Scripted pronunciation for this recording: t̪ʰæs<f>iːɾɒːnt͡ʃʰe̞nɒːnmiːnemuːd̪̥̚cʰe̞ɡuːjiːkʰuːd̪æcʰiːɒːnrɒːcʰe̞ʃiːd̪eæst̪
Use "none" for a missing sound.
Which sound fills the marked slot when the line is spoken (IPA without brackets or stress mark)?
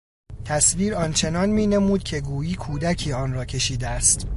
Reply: v